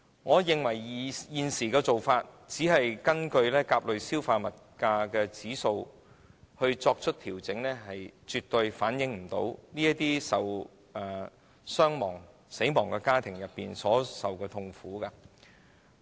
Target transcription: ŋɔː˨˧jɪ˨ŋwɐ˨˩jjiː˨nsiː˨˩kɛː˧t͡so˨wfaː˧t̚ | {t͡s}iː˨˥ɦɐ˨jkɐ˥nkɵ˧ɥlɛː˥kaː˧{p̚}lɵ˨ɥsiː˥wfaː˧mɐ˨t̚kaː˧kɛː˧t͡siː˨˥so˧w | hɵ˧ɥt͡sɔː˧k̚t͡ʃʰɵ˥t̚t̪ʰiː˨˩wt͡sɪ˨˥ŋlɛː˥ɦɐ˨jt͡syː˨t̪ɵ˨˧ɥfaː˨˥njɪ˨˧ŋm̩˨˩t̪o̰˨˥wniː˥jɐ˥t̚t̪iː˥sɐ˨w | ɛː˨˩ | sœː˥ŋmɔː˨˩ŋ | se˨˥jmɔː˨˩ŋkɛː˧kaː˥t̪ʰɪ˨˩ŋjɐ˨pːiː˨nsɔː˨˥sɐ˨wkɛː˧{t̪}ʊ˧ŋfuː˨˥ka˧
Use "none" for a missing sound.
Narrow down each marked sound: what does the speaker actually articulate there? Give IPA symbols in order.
t͡s, p̚, t̪ʰ

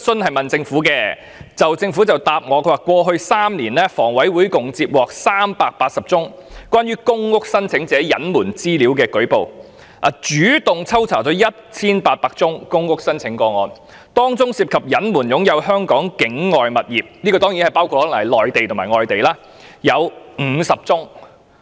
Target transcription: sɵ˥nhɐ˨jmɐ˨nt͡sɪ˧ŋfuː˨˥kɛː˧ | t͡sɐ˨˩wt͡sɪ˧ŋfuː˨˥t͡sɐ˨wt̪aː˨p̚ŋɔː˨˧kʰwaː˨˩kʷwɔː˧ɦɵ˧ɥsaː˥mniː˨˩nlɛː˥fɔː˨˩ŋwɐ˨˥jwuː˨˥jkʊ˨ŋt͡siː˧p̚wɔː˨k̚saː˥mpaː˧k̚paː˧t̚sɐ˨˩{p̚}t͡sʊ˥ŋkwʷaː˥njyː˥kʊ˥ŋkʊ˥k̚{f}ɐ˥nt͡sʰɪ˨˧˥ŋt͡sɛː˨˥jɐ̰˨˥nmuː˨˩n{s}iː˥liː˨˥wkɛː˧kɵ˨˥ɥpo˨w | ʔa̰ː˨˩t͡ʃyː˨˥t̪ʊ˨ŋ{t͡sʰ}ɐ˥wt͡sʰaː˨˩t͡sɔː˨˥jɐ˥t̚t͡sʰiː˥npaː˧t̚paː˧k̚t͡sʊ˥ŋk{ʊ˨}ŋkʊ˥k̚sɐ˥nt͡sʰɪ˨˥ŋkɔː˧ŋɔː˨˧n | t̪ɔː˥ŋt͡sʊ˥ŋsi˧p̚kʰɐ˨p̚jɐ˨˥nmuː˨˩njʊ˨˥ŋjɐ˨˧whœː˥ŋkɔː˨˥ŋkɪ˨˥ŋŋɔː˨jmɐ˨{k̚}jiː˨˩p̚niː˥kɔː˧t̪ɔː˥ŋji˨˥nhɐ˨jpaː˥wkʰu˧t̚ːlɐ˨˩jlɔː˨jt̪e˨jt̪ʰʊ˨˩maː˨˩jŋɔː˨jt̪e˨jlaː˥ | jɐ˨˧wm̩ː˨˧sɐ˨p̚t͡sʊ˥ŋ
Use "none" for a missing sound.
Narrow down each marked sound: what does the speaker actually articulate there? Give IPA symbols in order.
p̚, s, t͡s, t͡sʰ, ʊ˥, t̚

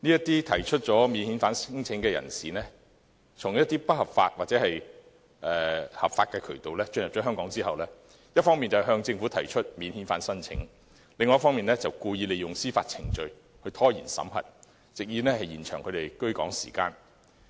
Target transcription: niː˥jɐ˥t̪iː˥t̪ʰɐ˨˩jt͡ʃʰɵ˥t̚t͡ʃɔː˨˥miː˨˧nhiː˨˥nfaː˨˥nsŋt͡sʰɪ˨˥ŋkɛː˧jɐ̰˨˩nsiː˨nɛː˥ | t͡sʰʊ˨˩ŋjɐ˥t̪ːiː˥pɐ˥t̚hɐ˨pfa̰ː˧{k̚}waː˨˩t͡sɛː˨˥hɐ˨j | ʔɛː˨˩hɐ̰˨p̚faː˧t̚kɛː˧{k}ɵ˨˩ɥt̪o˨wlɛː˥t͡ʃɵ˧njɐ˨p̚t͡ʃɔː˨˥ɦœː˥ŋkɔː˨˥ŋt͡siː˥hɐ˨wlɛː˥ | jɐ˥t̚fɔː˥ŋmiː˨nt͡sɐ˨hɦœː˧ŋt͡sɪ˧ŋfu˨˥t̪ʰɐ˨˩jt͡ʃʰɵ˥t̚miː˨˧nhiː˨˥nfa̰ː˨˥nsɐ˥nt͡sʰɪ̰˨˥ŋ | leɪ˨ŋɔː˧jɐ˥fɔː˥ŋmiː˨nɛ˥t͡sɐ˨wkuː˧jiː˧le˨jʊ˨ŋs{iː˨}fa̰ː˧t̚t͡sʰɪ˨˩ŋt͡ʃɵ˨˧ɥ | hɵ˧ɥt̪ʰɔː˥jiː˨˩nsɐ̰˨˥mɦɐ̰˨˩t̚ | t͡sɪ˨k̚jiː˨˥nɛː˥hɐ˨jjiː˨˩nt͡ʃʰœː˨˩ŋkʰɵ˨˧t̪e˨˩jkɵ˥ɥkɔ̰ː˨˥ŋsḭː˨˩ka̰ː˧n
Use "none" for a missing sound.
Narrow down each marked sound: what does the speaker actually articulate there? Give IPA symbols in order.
t̚, kʰ, iː˥

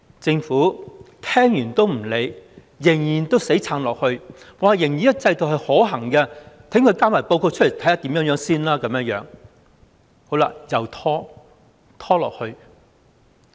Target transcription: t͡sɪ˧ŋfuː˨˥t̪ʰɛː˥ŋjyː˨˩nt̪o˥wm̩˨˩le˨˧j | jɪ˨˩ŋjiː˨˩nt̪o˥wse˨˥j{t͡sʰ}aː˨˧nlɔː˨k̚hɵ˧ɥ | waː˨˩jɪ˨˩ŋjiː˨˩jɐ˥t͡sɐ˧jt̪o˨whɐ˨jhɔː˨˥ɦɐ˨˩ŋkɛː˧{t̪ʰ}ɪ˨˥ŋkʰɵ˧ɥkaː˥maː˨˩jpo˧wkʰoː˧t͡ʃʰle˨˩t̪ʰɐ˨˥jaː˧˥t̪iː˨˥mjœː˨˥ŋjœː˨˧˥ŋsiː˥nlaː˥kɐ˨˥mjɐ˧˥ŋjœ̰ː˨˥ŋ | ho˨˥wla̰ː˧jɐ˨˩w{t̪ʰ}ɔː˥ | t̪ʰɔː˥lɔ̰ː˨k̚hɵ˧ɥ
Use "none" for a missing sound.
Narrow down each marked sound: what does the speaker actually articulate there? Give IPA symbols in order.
t͡sʰ, t̪ʰ, t̪ʰ

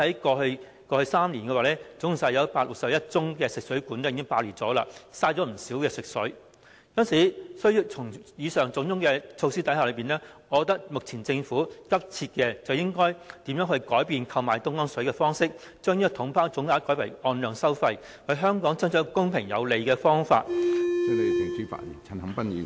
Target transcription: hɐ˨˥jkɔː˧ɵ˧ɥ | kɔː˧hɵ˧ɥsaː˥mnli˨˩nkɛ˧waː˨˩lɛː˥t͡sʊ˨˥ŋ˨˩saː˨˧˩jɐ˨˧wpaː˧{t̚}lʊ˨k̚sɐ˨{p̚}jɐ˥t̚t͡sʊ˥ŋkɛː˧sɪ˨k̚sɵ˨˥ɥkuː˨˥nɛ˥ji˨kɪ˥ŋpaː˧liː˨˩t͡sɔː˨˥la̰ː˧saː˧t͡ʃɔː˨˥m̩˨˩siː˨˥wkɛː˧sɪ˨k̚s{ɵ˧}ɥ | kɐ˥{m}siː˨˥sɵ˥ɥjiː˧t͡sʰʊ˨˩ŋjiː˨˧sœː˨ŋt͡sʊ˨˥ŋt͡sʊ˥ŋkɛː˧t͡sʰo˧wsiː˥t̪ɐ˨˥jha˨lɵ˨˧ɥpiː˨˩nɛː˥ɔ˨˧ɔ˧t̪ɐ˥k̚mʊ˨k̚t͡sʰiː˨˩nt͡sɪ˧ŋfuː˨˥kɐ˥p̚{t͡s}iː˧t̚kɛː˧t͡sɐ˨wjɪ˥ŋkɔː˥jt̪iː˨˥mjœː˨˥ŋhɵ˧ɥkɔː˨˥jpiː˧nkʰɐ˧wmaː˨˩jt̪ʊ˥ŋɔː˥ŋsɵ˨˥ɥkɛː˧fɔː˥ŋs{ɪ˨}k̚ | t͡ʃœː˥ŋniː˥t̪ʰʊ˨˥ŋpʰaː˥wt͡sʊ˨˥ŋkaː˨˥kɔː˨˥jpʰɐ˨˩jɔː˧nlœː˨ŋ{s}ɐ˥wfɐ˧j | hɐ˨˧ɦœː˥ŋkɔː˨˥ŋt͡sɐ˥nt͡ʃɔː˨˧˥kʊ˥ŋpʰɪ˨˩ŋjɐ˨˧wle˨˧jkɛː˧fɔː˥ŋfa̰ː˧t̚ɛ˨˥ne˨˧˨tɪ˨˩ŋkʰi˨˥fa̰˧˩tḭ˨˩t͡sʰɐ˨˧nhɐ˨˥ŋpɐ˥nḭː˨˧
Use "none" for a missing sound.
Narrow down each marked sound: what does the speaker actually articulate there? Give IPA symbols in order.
t̚, p̚, ɵ˨˥, n, t͡sʰ, ɪ˥, s

